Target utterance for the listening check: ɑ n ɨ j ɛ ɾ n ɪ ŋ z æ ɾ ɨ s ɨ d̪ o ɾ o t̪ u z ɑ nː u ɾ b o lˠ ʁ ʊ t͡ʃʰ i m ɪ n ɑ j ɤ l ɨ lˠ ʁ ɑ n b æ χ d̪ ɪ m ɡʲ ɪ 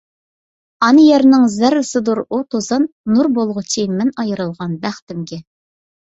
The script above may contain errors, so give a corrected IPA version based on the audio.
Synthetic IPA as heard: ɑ n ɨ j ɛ ɾ n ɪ ŋ z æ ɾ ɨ s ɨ d̪ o ɾ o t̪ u z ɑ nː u ɾ b o lˠ ʁ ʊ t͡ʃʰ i m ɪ n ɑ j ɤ ɾ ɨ lˠ ʁ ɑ n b æ χ t̪ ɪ m ɡʲ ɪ